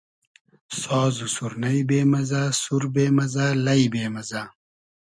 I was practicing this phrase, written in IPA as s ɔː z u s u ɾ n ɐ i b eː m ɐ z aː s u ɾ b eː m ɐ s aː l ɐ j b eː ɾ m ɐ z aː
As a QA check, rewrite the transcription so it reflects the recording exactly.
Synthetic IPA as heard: s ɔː z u s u ɾ n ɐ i b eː m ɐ z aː s u ɾ b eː m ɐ z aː l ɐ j b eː m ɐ z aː